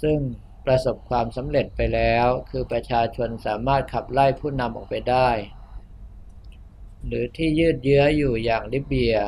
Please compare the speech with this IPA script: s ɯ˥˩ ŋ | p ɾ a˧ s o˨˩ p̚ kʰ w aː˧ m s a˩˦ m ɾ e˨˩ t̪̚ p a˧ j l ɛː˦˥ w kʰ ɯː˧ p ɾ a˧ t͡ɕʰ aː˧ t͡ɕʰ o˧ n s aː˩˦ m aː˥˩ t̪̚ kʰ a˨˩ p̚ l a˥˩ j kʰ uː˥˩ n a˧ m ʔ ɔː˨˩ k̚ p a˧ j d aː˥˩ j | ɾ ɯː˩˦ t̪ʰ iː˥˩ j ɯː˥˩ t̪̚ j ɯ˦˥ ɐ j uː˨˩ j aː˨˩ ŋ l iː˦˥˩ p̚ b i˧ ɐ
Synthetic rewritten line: s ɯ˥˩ ŋ | p ɾ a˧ s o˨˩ p̚ kʰ w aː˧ m s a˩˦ m ɾ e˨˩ t̪̚ p a˧ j l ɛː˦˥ w kʰ ɯː˧ p ɾ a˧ t͡ɕʰ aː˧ t͡ɕʰ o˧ n s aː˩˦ m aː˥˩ t̪̚ kʰ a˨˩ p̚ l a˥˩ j pʰ uː˥˩ n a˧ m ʔ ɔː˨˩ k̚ p a˧ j d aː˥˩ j | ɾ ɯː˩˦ t̪ʰ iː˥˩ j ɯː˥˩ t̪̚ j ɯ˦˥ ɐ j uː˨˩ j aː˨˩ ŋ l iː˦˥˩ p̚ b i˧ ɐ